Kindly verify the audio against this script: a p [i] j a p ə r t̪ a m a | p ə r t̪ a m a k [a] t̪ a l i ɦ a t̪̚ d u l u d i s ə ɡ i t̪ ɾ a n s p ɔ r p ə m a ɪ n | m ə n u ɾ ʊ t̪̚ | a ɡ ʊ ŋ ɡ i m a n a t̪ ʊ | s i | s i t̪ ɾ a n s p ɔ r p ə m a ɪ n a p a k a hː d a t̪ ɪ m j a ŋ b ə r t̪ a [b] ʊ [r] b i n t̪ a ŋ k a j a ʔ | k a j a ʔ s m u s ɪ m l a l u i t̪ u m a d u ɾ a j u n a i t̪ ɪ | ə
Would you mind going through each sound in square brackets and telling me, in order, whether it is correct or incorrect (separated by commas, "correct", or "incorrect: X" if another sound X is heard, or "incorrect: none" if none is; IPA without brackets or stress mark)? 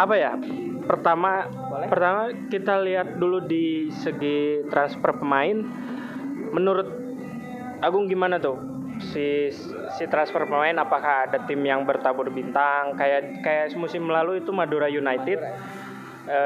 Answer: incorrect: a, incorrect: i, correct, correct